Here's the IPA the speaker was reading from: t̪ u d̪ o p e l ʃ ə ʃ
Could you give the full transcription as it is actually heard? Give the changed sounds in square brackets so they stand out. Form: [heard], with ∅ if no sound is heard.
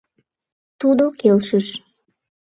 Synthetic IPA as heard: t̪ u d̪ o [k] e l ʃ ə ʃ

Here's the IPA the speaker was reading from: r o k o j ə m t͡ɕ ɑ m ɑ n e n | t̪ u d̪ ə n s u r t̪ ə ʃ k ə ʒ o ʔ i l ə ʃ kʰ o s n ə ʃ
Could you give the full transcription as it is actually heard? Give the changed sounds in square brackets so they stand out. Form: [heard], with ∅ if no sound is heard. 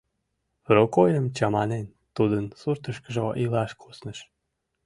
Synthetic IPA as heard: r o k o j ə m t͡ɕ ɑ m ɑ n e n | t̪ u d̪ ə n s u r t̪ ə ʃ k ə ʒ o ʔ i l [ɑ] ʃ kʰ o s n ə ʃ

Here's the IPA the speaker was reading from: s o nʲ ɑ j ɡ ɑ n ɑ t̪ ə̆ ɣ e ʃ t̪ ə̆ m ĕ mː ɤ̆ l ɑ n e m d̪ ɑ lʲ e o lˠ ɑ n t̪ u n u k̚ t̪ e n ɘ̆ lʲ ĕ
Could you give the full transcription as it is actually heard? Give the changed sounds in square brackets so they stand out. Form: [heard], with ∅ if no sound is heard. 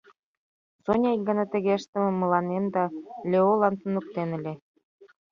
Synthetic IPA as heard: s o nʲ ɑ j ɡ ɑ n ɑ t̪ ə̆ ɣ e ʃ t̪ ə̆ m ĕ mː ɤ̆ l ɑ n e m d̪ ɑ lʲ e o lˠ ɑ n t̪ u n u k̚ t̪ e n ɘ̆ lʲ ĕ

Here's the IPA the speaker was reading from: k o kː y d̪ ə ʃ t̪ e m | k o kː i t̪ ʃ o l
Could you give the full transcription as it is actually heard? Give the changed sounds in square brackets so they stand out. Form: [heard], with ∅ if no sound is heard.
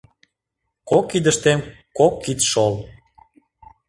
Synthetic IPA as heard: k o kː [i] d̪ ə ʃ t̪ e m | k o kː i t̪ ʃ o l

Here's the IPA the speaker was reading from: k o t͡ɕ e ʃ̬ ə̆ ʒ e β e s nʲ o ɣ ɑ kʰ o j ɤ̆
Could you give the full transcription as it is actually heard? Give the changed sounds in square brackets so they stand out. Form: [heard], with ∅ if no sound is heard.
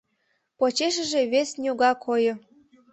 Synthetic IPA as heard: [p] o t͡ɕ e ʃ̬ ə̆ ʒ e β e s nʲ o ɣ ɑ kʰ o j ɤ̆

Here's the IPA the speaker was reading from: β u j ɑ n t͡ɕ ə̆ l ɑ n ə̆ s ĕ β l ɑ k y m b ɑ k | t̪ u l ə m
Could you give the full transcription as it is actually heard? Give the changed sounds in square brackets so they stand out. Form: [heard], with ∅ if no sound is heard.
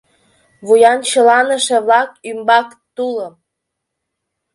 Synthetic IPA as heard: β u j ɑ n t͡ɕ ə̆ l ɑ n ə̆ [ʃ] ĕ β l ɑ k y m b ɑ k | t̪ u l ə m

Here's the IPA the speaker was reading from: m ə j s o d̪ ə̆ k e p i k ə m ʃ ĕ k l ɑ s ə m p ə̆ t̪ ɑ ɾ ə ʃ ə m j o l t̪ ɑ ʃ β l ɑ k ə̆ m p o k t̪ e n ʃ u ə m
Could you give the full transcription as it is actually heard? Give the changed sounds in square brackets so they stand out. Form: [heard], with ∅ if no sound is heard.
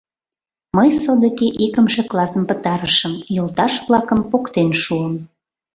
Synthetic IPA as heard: m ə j s o d̪ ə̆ k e [ʔ] i k ə m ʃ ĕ k l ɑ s ə m p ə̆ t̪ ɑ ɾ ə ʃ ə m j o l t̪ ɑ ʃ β l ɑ k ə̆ m p o k t̪ e n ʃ u ə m

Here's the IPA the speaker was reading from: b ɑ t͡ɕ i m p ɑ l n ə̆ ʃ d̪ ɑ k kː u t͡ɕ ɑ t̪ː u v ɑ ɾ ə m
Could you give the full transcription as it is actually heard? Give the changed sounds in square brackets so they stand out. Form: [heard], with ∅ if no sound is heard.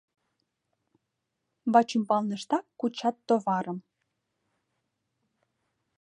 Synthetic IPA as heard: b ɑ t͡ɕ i m p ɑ l n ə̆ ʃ [t̪] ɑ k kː u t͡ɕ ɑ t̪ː [o] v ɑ ɾ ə m

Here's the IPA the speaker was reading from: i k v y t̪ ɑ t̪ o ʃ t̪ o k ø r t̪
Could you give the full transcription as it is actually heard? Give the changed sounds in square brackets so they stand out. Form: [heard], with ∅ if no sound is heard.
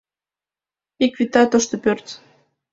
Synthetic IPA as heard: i k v [i] t̪ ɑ t̪ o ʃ t̪ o [p] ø r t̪

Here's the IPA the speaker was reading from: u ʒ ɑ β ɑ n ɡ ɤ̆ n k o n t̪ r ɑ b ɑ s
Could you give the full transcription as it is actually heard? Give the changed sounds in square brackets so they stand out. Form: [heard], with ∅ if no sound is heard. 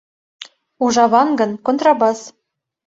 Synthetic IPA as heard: u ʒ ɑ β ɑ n ɡ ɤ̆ n k o n t̪ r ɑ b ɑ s

